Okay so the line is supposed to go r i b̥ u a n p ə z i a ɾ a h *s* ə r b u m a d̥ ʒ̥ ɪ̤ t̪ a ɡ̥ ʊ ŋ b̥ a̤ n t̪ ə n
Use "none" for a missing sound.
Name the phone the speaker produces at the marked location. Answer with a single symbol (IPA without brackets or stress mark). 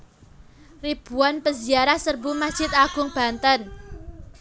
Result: s